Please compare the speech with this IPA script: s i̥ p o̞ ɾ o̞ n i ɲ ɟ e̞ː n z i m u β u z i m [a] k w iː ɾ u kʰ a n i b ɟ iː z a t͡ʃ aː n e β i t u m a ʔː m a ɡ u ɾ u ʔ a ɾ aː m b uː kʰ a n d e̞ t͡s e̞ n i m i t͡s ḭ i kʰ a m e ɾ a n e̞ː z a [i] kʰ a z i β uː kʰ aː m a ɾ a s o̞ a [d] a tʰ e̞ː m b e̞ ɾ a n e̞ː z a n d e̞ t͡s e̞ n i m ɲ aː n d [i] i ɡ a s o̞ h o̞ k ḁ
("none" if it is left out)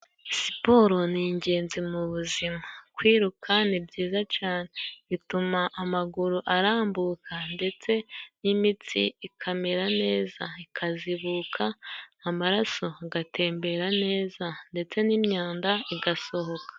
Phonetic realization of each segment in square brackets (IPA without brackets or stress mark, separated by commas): a, i, ɡ, a